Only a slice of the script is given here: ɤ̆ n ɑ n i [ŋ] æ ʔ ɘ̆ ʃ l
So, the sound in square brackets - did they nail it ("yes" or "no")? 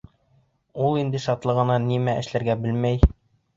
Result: no